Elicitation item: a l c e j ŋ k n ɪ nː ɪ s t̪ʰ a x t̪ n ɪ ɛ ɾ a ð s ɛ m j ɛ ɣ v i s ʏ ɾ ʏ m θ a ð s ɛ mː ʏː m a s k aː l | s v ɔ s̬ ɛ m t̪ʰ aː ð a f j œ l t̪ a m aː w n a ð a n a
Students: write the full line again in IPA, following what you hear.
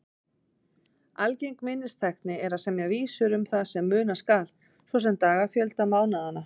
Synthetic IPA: a l c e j ŋ k m ɪ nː ɪ s t̪ʰ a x t̪ n ɪ ɛ ɾ a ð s ɛ m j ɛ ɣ v iː s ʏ ɾ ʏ m θ a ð s ɛ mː ʏː n a s k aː l | s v ɔ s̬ ɛ m t̪ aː ɣ a f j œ l t̪ a m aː w n a ð a n a